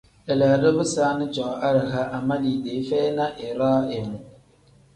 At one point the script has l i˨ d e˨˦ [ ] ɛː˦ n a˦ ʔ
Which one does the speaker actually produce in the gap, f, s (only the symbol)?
f